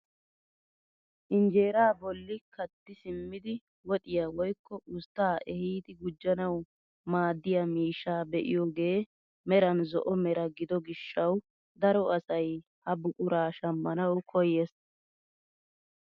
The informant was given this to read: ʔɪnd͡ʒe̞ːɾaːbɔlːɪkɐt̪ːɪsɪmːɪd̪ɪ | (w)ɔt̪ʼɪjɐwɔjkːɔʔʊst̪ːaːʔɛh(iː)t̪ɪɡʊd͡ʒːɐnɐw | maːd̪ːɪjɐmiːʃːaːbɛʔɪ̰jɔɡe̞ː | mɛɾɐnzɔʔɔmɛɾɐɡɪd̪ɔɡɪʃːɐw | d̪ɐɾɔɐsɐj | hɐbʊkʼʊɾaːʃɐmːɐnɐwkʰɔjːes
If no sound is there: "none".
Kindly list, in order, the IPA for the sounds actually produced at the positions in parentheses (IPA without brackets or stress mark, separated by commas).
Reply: w, iː